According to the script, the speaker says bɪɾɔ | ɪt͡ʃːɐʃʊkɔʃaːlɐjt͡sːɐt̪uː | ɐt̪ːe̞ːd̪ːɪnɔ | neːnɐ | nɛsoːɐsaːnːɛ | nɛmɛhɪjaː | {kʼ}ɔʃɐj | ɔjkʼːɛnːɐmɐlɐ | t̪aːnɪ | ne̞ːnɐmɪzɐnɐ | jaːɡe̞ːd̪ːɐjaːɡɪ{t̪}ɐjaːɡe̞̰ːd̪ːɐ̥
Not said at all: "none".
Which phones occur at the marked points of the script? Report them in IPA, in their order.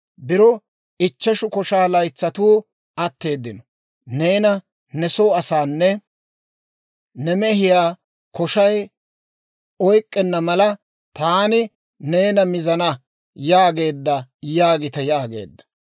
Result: k, t̪

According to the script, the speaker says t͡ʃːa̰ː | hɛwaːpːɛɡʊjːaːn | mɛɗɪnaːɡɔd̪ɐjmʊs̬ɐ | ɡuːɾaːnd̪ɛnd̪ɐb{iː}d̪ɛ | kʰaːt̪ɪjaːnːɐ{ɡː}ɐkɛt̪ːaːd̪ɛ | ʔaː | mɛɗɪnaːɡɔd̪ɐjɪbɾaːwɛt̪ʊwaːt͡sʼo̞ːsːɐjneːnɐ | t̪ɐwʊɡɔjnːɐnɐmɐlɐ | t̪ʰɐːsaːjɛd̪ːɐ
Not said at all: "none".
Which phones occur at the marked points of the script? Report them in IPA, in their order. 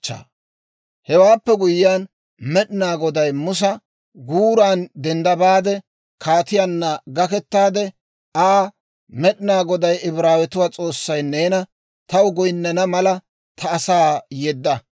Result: aː, ɡ

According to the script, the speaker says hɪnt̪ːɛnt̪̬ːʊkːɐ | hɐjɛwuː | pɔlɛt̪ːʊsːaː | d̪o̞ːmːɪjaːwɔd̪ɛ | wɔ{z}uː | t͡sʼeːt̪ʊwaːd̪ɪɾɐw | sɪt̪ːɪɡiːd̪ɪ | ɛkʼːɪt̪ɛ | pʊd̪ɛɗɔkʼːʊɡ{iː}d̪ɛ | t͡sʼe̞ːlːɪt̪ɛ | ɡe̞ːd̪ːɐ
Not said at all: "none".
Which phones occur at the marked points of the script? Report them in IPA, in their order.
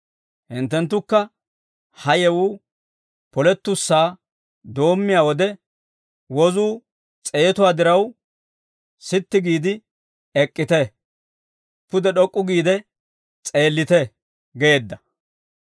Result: z, iː

